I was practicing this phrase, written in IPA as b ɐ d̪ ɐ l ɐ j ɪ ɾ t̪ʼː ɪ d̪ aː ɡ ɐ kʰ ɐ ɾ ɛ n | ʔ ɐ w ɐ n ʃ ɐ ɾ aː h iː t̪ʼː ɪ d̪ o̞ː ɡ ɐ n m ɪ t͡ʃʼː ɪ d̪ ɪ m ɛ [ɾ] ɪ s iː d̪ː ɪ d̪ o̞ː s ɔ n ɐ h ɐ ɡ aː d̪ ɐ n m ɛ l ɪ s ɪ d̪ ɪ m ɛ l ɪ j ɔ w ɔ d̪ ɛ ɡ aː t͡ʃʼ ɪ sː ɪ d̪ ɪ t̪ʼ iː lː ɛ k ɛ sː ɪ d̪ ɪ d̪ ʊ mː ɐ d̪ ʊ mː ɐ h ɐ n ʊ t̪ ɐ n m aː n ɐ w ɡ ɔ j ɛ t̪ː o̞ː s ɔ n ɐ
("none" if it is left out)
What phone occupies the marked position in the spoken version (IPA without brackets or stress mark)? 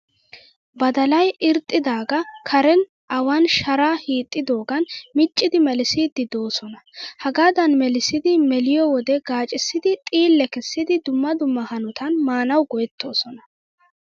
l